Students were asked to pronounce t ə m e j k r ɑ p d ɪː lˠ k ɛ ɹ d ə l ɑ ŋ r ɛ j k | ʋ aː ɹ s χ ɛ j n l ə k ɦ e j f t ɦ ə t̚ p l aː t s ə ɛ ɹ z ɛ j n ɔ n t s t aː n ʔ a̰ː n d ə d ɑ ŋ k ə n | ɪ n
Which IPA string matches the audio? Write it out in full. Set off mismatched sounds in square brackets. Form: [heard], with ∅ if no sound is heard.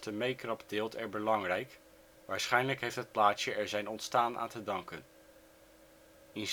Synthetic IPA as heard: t ə m e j k r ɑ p d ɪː lˠ [t] ɛ ɹ [b] ə l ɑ ŋ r ɛ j k | ʋ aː ɹ s χ ɛ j n l ə k ɦ e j f t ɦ ə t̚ p l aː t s ə ɛ ɹ z ɛ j n ɔ n t s t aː n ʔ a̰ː n [t] ə d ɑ ŋ k ə n | ɪ n